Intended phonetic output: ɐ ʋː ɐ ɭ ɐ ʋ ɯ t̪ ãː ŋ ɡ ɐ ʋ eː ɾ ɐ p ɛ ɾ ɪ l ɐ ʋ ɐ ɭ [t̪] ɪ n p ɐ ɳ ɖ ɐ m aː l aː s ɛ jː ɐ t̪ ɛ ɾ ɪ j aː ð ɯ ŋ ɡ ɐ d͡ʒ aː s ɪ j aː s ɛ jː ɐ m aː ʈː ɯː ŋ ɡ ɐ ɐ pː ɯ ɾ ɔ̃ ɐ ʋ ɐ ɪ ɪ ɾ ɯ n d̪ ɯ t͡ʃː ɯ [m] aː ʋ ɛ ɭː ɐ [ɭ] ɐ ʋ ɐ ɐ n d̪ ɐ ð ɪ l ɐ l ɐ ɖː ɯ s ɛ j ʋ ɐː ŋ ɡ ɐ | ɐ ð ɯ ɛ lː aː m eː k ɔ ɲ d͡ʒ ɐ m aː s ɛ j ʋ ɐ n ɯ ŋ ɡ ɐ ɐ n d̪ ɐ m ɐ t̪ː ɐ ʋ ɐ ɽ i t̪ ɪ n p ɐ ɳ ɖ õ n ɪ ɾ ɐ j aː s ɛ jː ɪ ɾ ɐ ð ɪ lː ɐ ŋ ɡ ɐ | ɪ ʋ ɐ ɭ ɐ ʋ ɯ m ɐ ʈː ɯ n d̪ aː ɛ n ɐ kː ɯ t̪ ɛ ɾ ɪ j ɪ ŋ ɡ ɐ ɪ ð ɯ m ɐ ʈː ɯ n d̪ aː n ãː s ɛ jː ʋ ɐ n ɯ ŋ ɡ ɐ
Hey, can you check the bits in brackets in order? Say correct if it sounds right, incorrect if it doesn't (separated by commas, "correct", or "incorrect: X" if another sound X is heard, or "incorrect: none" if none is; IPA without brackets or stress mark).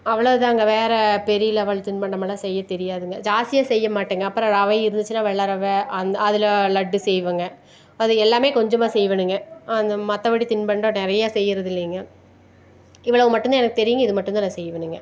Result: correct, incorrect: n, incorrect: ɾ